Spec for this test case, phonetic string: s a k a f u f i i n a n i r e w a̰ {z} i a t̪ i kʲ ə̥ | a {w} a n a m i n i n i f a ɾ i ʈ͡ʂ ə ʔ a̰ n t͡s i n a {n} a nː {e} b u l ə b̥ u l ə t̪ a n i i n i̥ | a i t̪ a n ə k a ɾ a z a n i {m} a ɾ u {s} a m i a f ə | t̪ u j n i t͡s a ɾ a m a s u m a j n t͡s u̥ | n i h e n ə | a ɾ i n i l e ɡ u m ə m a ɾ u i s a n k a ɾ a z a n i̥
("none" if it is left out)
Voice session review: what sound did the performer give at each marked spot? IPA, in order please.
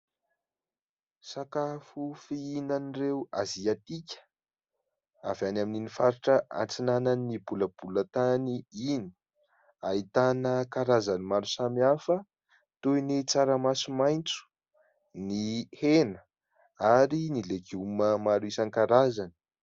z, v, n, i, m, s

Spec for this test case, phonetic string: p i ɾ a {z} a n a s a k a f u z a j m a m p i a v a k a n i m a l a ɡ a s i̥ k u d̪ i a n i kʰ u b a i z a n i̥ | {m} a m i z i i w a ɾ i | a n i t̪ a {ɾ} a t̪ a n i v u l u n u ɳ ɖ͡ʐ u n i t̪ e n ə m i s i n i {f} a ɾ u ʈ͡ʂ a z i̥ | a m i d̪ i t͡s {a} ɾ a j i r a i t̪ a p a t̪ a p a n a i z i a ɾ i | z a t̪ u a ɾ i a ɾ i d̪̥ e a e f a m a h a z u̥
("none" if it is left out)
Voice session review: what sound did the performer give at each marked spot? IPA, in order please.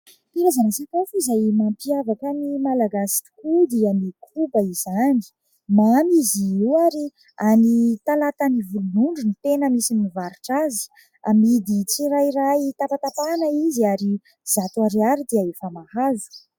z, m, l, v, i

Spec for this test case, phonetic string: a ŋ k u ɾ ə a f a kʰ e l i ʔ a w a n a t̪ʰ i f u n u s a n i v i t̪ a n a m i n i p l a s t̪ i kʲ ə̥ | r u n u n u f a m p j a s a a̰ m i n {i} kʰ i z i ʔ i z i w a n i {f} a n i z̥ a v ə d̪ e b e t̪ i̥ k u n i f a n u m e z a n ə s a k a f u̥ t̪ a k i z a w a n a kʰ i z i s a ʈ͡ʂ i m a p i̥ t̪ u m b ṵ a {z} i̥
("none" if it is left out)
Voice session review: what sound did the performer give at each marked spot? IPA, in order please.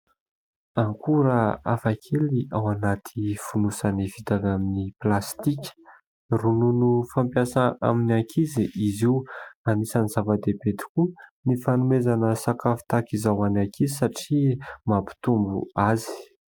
a, s, z

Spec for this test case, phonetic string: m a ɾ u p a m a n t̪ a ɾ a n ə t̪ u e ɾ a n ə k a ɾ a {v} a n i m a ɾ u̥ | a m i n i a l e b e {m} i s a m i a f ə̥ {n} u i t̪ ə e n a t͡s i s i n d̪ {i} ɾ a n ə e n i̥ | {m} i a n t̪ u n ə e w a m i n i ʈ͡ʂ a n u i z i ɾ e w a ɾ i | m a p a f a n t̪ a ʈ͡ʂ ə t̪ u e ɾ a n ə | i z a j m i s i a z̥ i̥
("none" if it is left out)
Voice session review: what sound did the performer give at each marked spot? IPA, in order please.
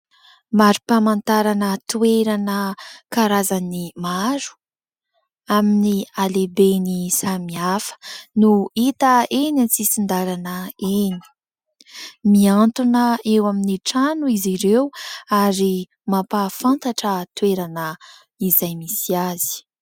z, n, n, a, m

